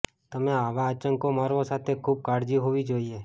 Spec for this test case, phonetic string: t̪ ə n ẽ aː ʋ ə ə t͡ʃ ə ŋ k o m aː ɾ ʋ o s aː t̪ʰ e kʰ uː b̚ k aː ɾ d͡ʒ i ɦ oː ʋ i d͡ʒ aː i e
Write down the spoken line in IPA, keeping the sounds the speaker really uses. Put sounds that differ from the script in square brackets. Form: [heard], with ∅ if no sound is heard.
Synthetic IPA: t̪ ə [m] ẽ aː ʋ [a] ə t͡ʃ ə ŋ k o m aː ɾ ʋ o s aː t̪ʰ e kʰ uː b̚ k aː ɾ d͡ʒ i ɦ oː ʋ i d͡ʒ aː i e